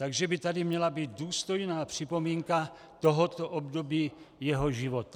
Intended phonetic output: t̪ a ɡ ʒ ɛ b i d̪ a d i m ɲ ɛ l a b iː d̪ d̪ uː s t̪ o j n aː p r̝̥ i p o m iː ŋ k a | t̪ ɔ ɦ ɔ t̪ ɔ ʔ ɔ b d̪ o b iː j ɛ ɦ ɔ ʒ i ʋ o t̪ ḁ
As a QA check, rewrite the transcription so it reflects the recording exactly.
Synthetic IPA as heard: t̪ a ɡ ʒ ɛ b i t̪ a d i m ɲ ɛ l a b iː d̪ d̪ uː s t̪ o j n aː p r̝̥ i p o m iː ŋ k a | t̪ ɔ ɦ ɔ t̪ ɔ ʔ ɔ b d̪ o b iː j ɛ ɦ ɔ ʒ i ʋ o t̪ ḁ